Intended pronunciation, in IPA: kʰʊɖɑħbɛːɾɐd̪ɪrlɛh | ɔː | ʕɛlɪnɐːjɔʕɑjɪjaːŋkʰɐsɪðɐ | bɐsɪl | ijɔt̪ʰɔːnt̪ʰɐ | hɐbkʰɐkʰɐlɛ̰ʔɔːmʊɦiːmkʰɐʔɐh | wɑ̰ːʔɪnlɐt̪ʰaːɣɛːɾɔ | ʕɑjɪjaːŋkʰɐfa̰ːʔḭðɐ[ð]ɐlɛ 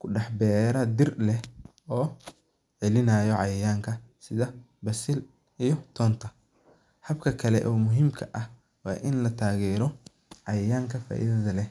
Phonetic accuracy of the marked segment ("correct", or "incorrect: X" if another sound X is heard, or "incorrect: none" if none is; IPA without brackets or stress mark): correct